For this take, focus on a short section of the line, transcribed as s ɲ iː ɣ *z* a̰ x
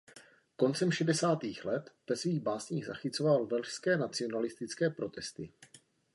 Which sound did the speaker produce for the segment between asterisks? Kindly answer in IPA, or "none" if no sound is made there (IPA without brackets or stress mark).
z